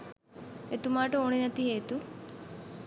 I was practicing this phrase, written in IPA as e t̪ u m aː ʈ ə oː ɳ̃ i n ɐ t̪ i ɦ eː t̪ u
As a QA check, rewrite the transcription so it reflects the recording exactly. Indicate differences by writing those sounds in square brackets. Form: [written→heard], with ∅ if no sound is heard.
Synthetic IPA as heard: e t̪ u m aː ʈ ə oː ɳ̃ i n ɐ t̪ i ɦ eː t̪ u